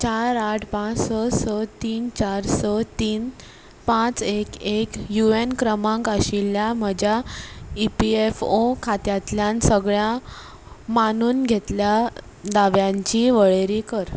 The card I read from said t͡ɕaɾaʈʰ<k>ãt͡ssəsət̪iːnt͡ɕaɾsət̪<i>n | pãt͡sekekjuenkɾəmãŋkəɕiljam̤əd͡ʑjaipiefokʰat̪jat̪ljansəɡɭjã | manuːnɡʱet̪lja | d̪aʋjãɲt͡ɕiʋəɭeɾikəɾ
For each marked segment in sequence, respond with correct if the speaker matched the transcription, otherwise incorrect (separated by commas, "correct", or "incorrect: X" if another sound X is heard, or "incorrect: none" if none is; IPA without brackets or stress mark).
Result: incorrect: p, incorrect: iː